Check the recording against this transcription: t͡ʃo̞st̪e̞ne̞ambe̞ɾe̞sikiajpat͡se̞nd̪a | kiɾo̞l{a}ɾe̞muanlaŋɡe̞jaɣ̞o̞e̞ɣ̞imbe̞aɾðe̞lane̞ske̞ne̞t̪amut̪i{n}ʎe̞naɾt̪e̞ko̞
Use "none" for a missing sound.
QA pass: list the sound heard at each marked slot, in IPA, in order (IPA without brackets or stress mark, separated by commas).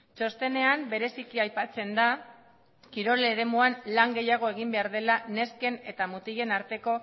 e, none